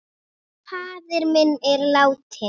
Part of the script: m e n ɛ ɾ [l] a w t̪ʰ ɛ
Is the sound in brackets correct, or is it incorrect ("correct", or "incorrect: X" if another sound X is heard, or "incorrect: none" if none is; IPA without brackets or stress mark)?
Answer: correct